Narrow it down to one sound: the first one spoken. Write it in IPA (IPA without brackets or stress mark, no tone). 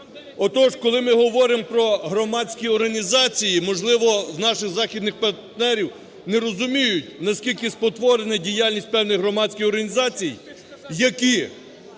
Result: ɔ